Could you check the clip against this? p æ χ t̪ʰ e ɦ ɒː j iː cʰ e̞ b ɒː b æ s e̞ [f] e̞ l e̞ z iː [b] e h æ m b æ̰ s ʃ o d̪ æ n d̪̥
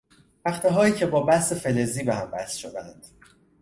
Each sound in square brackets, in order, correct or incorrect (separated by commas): correct, correct